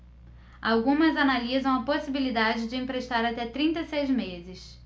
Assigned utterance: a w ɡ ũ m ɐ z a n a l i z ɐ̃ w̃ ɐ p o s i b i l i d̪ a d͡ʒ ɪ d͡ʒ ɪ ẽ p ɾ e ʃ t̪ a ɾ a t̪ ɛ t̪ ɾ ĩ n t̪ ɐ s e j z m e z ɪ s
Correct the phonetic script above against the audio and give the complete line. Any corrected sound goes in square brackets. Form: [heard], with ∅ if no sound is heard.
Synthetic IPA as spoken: a w ɡ ũ m ɐ z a n a l i z ɐ̃ w̃ ɐ p o s i b i l i d̪ a d͡ʒ ɪ d͡ʒ ɪ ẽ p ɾ e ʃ t̪ a ɾ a t̪ ɛ t̪ ɾ ĩ n t̪ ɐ s e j z m e z ɪ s